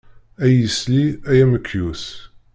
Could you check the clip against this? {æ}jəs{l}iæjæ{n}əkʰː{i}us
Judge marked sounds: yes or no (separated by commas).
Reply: yes, yes, no, no